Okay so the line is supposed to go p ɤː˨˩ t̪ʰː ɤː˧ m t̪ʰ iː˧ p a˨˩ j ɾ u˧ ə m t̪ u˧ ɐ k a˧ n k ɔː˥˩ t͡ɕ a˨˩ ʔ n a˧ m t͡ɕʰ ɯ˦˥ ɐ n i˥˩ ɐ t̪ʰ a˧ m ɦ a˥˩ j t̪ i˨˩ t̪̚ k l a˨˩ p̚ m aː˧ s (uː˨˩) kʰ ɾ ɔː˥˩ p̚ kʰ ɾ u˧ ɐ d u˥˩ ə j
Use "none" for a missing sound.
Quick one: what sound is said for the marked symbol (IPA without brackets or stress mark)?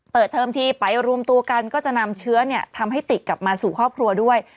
uː˨˩